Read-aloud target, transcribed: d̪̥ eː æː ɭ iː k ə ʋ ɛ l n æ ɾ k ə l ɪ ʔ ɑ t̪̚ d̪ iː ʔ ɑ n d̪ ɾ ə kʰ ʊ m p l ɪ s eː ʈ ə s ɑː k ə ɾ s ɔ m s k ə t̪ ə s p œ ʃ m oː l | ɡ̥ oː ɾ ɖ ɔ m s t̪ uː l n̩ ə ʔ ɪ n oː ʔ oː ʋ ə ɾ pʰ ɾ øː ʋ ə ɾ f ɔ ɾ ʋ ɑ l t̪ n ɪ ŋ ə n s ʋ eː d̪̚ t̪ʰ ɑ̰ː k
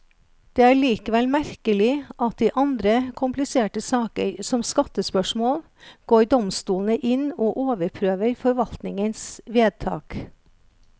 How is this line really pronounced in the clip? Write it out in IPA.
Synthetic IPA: d̪̥ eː æː ɭ iː k ə ʋ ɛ l m æ ɾ k ə l ɪ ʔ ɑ t̪̚ d̪ iː ʔ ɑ n d̪ ɾ ə kʰ ʊ m p l ɪ s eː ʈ ə s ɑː k ə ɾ s ɔ m s k ɑ t̪ ə s p œ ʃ m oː l | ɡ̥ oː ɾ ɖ ɔ m s t̪ uː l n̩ ə ʔ ɪ n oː ʔ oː ʋ ə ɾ pʰ ɾ øː ʋ ə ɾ f ɔ ɾ ʋ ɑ l t̪ n ɪ ŋ ə n s ʋ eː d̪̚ t̪ʰ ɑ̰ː k